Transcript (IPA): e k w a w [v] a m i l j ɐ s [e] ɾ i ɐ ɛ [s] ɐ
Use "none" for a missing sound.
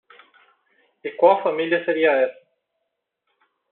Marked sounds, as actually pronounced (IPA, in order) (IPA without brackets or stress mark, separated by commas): f, e, s